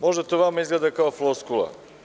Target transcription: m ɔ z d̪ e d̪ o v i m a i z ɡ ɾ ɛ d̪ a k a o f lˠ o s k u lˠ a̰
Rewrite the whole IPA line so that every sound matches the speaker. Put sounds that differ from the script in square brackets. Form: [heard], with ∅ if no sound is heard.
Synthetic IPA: m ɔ [ʒ] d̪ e [t̪] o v [a] m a i z ɡ [l] ɛ d̪ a k a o f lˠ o s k u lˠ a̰